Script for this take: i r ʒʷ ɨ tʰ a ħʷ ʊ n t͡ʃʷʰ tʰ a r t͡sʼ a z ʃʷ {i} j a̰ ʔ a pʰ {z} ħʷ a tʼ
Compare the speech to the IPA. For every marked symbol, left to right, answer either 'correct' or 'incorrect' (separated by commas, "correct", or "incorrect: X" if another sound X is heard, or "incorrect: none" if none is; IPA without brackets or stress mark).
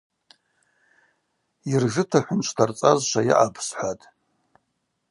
incorrect: a, incorrect: s